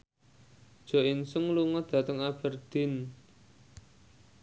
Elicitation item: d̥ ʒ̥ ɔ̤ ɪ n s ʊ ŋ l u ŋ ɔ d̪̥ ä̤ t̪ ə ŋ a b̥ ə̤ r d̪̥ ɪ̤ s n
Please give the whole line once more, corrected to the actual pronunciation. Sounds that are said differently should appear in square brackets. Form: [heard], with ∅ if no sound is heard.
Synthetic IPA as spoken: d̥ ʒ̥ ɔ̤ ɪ n s ʊ ŋ l u ŋ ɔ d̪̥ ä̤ t̪ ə ŋ a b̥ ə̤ r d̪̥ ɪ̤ [∅] n